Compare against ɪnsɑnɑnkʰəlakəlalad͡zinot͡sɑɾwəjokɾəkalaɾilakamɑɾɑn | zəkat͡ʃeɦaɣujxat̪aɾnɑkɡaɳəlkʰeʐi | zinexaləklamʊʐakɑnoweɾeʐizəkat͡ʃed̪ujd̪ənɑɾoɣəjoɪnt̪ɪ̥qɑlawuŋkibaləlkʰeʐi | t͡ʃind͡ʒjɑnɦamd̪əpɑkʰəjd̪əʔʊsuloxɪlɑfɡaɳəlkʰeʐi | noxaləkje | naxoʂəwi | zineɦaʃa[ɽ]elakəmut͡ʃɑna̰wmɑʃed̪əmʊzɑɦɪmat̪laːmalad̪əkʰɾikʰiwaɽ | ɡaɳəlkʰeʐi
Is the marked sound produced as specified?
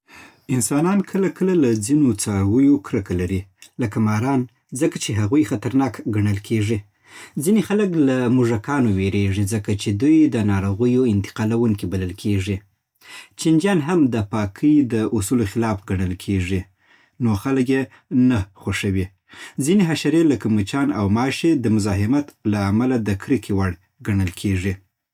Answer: no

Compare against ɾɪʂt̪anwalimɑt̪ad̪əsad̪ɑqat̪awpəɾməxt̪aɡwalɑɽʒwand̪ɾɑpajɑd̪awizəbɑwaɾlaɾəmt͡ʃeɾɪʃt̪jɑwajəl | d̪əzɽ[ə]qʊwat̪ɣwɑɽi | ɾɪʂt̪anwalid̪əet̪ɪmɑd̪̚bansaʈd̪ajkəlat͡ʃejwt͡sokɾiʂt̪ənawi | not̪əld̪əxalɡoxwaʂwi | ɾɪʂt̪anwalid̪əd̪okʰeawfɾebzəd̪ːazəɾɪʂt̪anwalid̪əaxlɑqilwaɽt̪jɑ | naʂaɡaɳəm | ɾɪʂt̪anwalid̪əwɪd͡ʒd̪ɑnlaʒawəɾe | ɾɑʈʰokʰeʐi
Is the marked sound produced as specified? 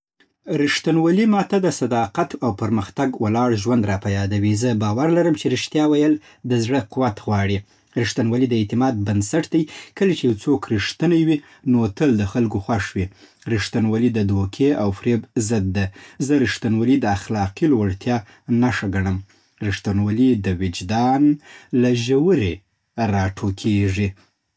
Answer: yes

